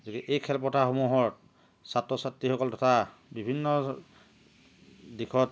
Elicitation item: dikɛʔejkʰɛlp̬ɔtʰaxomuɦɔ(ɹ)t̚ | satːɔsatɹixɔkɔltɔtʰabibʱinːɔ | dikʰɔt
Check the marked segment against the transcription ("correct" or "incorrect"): correct